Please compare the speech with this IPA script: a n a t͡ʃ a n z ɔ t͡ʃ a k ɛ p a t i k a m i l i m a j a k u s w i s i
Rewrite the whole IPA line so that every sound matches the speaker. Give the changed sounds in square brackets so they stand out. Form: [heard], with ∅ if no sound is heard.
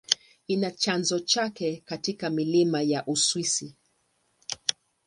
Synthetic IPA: [i] n a t͡ʃ a n z ɔ t͡ʃ a k ɛ [k] a t i k a m i l i m a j a [ʔ] u s w i s i